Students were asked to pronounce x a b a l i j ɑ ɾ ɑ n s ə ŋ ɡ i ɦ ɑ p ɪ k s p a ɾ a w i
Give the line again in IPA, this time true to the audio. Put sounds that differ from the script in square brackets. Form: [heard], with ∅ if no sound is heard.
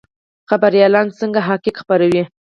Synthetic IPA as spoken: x a b a [ɾ] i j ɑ [l] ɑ n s ə ŋ ɡ [a] ɦ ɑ [k] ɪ k [x] p a ɾ a w i